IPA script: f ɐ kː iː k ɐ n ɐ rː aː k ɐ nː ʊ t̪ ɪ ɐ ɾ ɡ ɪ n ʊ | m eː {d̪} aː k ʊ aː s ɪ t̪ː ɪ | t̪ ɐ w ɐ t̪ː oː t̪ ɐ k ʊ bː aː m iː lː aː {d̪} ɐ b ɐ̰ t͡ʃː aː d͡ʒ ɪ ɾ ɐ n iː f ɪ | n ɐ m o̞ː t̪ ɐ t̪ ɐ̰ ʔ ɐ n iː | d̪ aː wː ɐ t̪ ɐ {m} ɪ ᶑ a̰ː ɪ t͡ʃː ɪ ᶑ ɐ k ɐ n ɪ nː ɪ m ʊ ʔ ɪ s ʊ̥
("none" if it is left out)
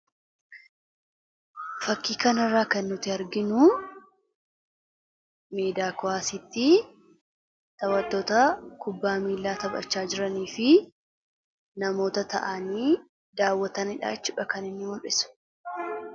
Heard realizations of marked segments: d̪, t̪, n

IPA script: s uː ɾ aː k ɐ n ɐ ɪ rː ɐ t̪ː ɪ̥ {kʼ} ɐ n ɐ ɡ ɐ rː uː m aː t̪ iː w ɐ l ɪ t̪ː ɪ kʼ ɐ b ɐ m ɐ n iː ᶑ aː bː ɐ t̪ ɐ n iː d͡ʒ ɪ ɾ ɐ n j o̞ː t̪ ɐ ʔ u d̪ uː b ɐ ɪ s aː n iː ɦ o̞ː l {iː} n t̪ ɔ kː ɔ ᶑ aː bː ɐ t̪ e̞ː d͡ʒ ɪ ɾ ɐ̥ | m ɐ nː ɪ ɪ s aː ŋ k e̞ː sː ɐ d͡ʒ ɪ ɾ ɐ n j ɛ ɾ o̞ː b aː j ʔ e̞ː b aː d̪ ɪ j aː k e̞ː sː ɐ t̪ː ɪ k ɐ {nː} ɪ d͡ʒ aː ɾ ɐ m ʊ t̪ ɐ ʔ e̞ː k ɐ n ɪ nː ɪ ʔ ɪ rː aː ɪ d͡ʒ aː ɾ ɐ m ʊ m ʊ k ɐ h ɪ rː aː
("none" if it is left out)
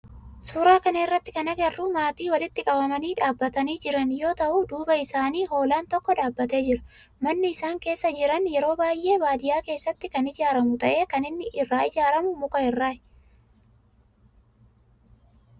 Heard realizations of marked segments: k, aː, n

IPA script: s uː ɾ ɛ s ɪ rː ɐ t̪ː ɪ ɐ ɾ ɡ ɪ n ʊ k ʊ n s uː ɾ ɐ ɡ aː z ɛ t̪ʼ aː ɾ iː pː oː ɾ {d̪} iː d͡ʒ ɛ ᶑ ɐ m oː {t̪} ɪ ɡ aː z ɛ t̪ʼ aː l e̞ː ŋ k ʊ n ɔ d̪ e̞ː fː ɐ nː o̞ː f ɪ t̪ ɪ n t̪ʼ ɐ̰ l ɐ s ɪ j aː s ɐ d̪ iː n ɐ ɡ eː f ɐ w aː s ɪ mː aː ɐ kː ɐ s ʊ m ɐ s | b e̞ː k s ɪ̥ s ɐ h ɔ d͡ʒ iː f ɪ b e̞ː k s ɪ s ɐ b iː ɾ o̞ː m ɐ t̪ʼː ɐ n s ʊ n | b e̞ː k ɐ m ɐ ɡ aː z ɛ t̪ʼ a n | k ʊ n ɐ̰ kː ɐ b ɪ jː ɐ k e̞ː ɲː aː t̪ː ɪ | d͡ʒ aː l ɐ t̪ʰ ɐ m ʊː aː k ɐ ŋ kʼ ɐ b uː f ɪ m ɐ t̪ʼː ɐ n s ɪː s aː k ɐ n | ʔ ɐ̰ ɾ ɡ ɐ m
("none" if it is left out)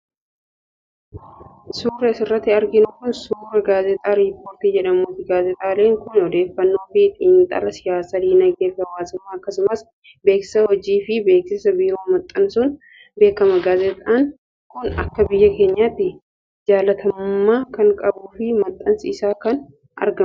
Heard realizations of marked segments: t̪, t̪

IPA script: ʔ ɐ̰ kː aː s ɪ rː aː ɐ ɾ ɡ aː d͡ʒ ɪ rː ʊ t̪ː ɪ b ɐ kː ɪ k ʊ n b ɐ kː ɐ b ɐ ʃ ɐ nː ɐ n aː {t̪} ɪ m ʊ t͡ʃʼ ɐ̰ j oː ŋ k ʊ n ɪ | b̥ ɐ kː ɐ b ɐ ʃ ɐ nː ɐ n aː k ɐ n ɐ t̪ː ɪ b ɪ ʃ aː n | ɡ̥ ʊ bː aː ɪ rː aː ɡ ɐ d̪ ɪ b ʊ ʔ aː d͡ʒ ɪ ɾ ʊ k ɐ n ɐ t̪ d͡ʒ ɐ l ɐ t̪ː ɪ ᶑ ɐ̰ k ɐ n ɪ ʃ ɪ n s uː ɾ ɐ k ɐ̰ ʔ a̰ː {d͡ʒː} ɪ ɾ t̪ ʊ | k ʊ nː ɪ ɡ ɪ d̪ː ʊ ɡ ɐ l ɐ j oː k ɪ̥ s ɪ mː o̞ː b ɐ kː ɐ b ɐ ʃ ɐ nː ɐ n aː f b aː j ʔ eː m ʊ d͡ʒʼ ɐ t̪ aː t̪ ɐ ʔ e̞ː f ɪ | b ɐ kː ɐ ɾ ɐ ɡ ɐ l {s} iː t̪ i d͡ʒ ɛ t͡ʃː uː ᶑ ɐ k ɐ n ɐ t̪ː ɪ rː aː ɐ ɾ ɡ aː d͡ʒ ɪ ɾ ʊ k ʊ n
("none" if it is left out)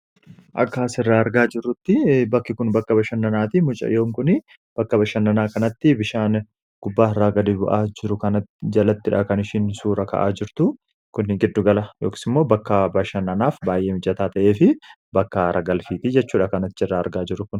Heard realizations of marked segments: t̪, d͡ʒ, f

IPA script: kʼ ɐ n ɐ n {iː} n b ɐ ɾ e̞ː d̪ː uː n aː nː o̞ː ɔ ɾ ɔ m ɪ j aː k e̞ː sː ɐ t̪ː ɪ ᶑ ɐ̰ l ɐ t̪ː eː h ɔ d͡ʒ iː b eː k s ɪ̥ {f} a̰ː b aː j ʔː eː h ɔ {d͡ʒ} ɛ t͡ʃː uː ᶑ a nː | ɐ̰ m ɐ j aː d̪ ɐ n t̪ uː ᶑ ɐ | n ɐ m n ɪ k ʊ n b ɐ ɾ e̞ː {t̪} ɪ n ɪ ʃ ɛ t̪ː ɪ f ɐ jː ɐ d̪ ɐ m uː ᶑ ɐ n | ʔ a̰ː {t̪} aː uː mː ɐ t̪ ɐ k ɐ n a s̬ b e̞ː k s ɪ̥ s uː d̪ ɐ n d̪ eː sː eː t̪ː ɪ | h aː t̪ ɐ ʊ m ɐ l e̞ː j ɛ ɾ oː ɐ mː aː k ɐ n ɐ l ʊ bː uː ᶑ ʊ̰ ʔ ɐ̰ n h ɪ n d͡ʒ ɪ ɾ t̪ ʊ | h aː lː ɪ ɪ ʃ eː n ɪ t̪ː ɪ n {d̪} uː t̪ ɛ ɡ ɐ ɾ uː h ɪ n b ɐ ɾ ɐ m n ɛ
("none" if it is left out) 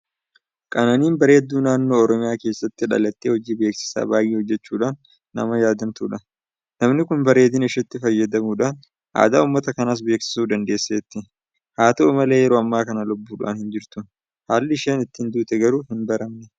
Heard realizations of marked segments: iː, s, d͡ʒː, d̪, d̪, d̪

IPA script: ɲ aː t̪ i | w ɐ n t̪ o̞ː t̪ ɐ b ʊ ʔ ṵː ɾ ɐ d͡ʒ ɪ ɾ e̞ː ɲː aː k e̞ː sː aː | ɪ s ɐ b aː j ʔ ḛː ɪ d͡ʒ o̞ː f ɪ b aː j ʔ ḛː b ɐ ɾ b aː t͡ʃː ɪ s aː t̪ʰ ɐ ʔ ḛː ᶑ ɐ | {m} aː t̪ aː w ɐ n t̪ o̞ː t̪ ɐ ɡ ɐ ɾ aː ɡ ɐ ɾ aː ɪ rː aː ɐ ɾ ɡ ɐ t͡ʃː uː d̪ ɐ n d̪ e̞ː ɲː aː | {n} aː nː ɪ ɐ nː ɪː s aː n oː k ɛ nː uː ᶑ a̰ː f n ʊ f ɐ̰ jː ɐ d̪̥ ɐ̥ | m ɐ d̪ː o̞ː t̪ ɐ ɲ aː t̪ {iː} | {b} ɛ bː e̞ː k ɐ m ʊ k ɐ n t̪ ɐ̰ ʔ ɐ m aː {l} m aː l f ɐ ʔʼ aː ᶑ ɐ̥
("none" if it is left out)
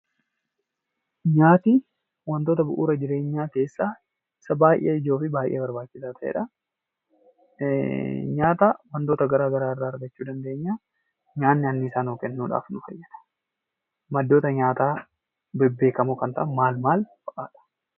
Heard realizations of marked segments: ɲ, ɲ, aː, b, l

